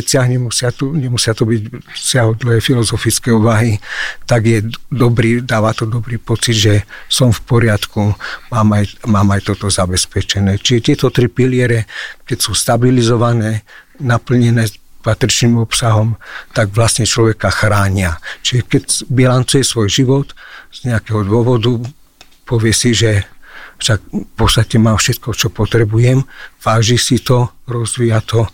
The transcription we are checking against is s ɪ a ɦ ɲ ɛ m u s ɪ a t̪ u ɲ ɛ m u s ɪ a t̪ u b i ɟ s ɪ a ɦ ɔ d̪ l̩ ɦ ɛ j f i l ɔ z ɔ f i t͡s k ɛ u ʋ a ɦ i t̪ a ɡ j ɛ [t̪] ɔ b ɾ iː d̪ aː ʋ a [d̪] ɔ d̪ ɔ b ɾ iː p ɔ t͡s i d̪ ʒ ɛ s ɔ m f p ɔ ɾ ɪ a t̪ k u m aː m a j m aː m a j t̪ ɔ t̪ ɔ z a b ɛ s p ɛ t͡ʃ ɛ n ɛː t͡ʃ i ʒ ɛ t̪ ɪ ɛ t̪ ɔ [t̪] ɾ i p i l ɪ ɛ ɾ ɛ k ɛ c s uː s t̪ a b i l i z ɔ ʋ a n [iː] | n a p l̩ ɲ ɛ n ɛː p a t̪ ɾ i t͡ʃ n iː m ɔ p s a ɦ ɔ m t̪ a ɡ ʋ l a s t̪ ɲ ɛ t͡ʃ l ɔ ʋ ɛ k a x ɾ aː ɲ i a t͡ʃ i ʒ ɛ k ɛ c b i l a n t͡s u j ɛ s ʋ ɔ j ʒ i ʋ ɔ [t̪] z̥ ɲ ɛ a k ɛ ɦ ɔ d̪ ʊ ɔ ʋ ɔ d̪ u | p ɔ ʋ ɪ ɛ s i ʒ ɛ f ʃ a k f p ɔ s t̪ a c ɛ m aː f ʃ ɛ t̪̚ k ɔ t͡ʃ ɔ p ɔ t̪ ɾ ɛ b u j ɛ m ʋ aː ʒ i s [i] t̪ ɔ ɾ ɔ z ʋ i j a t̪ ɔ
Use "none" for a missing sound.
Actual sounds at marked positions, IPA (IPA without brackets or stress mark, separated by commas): d̪, t̪, t̪, ɛː, t̪, i